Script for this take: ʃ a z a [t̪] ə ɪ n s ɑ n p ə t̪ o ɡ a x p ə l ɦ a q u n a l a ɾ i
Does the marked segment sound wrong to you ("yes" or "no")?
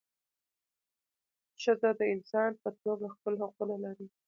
yes